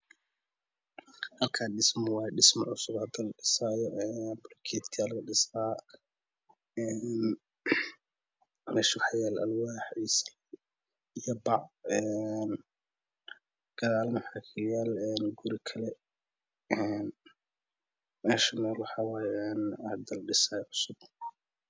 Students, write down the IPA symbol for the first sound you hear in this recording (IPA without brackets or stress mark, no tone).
h